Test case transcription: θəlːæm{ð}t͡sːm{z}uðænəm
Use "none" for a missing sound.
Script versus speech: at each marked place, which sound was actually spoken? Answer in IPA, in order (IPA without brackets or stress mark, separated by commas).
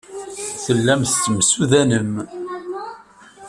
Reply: θ, s